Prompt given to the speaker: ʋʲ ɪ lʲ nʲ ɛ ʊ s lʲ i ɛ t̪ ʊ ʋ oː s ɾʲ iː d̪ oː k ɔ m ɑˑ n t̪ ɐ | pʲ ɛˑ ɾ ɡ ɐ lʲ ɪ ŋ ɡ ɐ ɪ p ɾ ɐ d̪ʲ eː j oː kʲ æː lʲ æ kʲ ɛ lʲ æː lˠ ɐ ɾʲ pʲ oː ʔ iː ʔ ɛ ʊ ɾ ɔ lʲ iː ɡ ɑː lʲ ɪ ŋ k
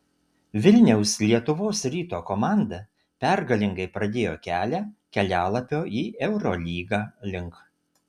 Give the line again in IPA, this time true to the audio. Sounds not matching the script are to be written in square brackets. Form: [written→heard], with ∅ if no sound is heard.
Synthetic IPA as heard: ʋʲ ɪ lʲ nʲ ɛ ʊ s lʲ i ɛ t̪ ʊ ʋ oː s ɾʲ iː [d̪→t̪] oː k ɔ m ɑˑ n [t̪→d̪] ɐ | pʲ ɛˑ ɾ ɡ ɐ lʲ ɪ ŋ ɡ ɐ ɪ p ɾ ɐ d̪ʲ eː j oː kʲ æː lʲ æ kʲ ɛ lʲ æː lˠ ɐ [ɾʲ→∅] pʲ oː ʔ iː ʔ ɛ ʊ ɾ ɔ lʲ iː ɡ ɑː lʲ ɪ ŋ k